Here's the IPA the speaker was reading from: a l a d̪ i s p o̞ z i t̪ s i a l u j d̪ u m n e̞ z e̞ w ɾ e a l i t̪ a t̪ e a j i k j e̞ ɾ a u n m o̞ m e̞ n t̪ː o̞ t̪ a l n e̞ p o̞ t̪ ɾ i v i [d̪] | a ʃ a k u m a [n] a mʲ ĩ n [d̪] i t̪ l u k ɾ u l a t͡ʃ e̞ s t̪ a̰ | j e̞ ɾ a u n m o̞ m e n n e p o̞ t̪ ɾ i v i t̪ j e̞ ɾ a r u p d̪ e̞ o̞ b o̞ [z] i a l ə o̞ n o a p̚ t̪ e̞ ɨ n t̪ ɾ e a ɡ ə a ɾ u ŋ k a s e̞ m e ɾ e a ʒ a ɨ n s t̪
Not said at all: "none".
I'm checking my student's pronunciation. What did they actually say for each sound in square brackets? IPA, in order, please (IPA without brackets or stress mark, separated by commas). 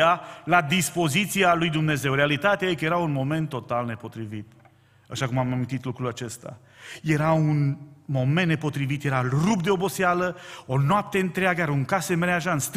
t̪, m, t̪, s